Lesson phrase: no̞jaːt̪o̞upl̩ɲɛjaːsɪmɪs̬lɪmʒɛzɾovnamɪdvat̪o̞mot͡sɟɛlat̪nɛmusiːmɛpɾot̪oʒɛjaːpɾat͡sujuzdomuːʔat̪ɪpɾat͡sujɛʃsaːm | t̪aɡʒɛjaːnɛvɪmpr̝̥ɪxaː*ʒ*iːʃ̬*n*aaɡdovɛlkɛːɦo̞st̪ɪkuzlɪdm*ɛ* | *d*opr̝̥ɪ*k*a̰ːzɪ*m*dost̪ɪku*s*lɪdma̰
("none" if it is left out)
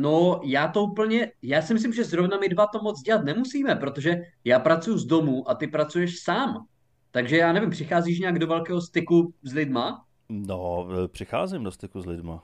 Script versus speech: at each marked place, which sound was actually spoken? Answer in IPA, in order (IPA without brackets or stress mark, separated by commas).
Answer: z, ɲ, a, n, x, m, z